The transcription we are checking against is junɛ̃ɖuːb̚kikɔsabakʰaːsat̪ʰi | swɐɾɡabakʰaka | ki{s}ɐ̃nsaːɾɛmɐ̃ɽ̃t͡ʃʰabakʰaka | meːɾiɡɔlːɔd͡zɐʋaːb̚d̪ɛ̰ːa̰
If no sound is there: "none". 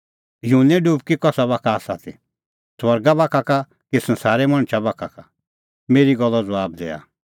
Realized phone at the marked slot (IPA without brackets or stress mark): s